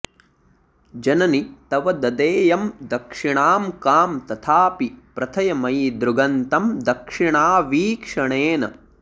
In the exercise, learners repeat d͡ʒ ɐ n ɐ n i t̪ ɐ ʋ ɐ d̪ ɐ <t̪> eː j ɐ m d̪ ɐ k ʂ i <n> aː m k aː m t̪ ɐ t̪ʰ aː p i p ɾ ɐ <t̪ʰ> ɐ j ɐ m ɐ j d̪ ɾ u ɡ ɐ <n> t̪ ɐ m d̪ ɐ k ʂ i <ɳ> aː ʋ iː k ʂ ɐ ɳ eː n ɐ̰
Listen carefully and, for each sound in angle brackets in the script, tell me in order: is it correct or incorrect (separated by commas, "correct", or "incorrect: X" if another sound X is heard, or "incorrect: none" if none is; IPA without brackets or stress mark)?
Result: incorrect: d̪, incorrect: ɳ, correct, correct, correct